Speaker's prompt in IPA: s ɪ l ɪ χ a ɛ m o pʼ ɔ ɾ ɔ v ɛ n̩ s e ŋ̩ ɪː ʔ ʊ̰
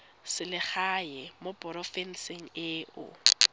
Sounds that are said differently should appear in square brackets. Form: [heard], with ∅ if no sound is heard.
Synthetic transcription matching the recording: s ɪ l ɪ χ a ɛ m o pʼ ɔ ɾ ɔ [f] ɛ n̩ s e ŋ̩ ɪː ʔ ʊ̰